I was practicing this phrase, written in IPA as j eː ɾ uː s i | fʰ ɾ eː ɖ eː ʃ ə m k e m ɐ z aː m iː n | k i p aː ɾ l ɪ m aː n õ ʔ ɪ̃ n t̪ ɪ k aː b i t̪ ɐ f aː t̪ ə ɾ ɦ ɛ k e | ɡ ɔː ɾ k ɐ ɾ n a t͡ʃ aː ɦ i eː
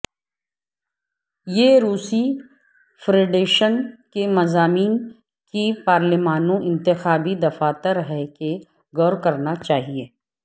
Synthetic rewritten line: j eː ɾ uː s i | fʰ ɾ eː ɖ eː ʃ ə n k e m ɐ z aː m iː n | k i p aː ɾ l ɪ m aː n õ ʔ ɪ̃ n t̪ ɪ x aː b i d̪ ɐ f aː t̪ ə ɾ ɦ ɛ k e | ɡ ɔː ɾ k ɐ ɾ n a t͡ʃ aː ɦ i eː